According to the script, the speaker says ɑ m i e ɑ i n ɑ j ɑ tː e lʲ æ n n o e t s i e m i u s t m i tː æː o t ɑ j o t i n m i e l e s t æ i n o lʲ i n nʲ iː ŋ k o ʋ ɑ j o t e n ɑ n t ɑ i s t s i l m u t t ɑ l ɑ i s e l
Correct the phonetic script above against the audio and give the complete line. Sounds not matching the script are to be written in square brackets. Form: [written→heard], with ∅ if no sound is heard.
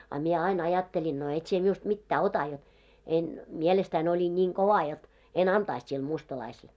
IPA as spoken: ɑ m i e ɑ i n ɑ j ɑ tː e lʲ [æ→i] n n o e t s i e m i u s t m i tː æː o t ɑ j o t [i→e] n m i e l e s t æ i n o lʲ i n nʲ iː ŋ k o ʋ ɑ j o t e n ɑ n t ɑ i s t s i l m u [t→s] t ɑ l ɑ i s e l